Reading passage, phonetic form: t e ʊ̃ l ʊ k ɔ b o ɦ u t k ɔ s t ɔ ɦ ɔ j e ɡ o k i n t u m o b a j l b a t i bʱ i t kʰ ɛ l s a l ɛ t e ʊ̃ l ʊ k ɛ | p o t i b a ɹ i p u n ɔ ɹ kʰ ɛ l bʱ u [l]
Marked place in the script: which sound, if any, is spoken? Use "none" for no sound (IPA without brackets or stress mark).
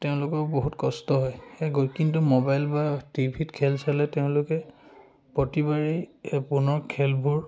ɹ